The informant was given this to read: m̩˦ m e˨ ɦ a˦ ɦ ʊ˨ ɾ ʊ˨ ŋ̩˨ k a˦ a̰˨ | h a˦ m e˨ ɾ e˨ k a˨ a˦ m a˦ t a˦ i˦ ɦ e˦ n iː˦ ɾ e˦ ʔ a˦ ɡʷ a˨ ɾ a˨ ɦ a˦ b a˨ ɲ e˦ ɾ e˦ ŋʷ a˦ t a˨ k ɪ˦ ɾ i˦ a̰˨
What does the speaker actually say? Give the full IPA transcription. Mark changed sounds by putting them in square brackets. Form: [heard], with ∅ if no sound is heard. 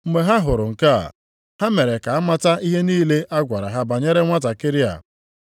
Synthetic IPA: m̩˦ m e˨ ɦ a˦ ɦ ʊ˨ ɾ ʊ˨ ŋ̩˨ k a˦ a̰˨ | h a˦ m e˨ ɾ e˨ k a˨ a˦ m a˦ t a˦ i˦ ɦ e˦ n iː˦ [l] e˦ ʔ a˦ ɡʷ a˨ ɾ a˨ ɦ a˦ b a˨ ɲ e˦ ɾ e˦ ŋʷ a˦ t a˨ k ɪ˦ ɾ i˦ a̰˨